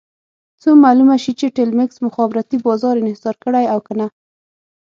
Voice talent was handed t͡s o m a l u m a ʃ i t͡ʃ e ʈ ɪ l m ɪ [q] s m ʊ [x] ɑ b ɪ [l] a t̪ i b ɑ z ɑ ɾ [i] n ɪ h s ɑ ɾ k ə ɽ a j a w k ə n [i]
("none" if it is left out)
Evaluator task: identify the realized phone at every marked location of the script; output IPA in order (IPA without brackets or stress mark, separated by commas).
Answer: k, x, ɾ, ɪ, a